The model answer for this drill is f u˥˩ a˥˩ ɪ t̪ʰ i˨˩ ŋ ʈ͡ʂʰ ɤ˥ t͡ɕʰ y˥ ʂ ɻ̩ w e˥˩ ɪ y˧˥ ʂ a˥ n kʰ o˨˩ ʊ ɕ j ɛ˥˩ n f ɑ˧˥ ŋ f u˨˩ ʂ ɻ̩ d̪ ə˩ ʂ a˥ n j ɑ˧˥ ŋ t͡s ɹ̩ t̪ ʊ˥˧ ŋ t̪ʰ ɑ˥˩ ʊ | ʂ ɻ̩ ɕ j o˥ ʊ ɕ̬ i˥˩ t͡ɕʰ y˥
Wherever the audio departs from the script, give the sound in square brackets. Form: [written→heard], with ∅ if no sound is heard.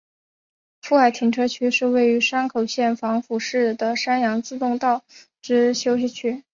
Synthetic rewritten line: f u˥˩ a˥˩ ɪ t̪ʰ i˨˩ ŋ ʈ͡ʂʰ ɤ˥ t͡ɕʰ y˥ ʂ ɻ̩ w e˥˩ ɪ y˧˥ ʂ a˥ n kʰ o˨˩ ʊ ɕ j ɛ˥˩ n f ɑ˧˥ ŋ f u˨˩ ʂ ɻ̩ d̪ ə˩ ʂ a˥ n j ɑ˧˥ ŋ t͡s ɹ̩ t̪ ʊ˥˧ ŋ [t̪ʰ→t̪] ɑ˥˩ ʊ | [ʂ→ʈ͡ʂ] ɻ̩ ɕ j o˥ ʊ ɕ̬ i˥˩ t͡ɕʰ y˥